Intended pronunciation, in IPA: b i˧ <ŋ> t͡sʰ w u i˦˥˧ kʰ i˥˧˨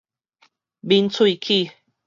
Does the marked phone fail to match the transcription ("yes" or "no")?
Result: yes